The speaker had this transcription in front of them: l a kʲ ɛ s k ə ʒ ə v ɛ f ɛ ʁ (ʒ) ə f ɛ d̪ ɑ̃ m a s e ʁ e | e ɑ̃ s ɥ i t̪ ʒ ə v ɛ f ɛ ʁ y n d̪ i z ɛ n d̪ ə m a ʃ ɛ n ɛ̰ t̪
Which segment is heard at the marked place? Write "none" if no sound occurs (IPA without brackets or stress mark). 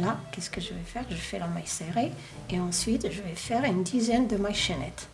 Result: ʒ